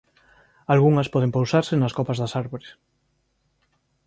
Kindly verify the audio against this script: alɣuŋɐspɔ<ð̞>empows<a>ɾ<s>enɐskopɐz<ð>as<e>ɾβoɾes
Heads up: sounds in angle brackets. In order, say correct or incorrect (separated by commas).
correct, correct, correct, correct, incorrect